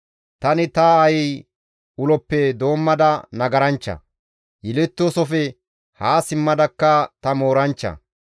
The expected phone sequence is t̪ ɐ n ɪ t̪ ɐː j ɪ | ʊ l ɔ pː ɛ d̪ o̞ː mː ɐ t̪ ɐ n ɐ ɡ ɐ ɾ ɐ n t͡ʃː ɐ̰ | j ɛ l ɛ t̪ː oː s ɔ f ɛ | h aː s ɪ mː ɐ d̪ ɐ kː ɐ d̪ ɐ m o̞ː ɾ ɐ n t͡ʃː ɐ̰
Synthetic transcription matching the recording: t̪ ɐ n ɪ t̪ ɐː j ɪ | ʊ l ɔ pː ɛ d̪ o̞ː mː ɐ d̪ ɐ n ɐ ɡ ɐ ɾ ɐ n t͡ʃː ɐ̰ | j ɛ l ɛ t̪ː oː s ɔ f ɛ | h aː s ɪ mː ɐ d̪ ɐ kː ɐ t̪ ɐ m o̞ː ɾ ɐ n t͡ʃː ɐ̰